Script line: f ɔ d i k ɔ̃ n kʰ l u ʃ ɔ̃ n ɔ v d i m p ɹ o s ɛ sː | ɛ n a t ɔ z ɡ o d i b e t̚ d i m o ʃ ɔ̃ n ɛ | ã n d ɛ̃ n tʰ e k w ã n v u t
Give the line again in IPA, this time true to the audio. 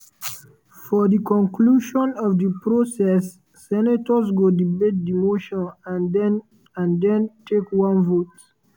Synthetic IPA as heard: f ɔ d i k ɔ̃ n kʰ l u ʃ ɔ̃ n ɔ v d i p ɹ o s ɛ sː | ɛ n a t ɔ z ɡ o d i b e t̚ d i m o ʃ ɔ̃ n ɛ | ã n d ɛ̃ n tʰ e k w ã n v o t